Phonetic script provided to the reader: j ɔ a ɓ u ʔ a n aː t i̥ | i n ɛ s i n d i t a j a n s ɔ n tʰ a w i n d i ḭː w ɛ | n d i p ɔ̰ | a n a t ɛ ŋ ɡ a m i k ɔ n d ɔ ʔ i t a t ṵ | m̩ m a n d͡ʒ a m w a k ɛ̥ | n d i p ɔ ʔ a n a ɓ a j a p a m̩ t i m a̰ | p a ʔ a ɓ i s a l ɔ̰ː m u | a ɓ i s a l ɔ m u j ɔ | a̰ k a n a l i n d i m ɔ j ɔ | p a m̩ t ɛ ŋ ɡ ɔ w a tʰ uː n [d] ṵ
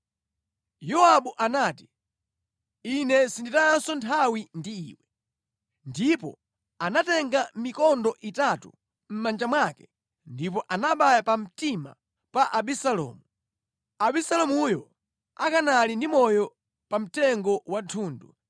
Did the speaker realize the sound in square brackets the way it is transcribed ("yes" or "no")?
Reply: yes